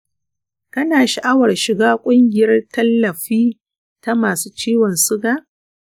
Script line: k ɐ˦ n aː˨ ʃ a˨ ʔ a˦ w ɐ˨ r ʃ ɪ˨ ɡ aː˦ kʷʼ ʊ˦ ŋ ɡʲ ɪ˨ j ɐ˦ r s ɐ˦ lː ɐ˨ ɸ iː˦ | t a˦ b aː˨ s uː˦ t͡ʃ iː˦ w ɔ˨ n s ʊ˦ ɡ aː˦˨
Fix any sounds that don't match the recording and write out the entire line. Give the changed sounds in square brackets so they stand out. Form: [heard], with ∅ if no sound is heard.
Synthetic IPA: k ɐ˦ n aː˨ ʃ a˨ ʔ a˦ w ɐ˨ r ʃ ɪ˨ ɡ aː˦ kʷʼ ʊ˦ ŋ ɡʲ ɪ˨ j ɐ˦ r [t] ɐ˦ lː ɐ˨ ɸ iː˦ | t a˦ [m] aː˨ s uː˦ t͡ʃ iː˦ w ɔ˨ n s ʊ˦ ɡ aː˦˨

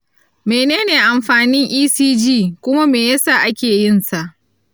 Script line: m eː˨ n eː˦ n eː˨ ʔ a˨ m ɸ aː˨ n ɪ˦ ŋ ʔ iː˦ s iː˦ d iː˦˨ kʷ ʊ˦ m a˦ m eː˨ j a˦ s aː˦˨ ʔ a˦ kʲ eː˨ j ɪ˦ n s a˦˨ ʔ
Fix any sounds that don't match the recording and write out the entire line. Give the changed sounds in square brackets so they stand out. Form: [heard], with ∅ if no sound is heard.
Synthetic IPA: m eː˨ n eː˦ n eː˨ ʔ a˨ m ɸ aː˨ n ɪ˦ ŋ ʔ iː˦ s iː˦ [d͡ʒ] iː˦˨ kʷ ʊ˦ m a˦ m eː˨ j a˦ s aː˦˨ ʔ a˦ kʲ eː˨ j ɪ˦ n s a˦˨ ʔ

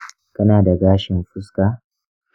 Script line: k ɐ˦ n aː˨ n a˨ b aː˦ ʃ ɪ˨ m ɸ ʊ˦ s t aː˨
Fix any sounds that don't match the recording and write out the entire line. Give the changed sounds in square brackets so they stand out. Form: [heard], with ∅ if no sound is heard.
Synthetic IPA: k ɐ˦ n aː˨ [d] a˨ [ɡ] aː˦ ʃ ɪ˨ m ɸ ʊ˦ s [k] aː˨

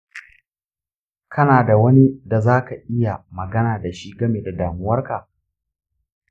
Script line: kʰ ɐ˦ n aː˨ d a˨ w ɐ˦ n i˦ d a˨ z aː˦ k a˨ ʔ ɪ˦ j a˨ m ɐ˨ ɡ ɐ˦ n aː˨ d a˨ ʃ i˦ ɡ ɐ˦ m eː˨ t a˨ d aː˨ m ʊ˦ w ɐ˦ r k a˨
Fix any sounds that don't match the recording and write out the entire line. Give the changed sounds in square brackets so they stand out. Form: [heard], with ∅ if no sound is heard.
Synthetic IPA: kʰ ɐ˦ n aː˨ d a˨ w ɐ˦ n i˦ d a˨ z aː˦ k a˨ ʔ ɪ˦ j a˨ m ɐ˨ ɡ ɐ˦ n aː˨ d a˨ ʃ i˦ ɡ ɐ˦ m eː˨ [d] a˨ d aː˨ m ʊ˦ w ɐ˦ r k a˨

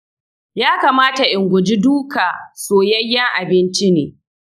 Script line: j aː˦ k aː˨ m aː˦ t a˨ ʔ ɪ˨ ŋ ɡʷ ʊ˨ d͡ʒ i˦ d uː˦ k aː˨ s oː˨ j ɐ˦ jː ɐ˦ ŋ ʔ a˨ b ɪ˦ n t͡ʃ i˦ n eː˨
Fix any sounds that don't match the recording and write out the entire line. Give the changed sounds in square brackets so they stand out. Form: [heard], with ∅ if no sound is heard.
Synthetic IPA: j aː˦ k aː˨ m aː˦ t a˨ ʔ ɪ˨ ŋ ɡʷ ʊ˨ d͡ʒ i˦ d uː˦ k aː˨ s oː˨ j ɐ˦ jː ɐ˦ ŋ ʔ a˨ b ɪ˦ n t͡ʃ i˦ n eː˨

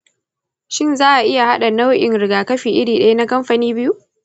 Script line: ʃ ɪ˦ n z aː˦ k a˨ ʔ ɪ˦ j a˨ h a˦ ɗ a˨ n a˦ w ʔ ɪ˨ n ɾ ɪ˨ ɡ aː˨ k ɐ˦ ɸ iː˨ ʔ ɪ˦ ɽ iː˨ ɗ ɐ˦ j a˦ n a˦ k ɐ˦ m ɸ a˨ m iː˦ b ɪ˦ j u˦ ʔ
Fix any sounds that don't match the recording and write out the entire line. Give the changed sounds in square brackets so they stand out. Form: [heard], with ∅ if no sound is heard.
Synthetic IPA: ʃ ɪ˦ n z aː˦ [ʔ] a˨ ʔ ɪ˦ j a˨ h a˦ ɗ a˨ n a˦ w ʔ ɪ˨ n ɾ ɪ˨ ɡ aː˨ k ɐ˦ ɸ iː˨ ʔ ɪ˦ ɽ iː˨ ɗ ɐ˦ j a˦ n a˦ k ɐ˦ m ɸ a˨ [n] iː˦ b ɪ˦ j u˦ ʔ

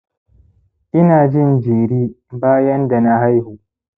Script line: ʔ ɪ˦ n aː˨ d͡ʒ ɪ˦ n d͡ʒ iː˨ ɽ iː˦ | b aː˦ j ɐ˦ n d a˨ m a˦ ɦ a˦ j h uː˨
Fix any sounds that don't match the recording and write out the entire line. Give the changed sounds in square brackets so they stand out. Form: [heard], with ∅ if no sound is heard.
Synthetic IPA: ʔ ɪ˦ n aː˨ d͡ʒ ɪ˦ n d͡ʒ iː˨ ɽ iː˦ | b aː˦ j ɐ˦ n d a˨ [n] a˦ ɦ a˦ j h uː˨

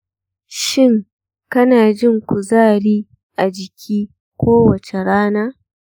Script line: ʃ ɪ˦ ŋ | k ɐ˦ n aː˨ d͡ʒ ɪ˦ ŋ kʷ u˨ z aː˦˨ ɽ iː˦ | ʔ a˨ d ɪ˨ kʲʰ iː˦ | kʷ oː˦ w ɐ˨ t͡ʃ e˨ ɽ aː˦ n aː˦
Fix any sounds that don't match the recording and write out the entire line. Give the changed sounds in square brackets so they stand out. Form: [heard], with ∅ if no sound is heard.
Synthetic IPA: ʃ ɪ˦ ŋ | k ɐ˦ n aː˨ d͡ʒ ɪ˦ ŋ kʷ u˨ z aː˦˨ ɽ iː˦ | ʔ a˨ [d͡ʒ] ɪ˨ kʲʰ iː˦ | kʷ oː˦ w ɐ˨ t͡ʃ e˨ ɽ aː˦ n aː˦

